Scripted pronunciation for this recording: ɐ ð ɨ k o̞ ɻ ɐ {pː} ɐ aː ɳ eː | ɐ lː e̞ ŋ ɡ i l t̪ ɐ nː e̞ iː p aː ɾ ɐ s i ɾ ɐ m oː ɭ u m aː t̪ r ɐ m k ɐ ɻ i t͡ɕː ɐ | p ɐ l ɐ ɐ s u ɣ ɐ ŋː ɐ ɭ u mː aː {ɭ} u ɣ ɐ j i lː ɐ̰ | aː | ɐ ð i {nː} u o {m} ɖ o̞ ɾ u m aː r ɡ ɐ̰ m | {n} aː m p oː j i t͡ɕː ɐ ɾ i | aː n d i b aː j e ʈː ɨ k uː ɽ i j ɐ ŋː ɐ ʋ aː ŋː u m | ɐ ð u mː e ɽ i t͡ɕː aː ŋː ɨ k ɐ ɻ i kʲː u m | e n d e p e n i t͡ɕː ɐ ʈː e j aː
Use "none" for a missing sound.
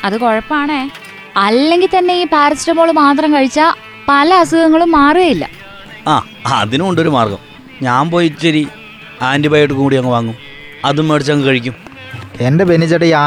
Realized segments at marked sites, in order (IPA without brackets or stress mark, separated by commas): pː, r, n, ɳ, ɲ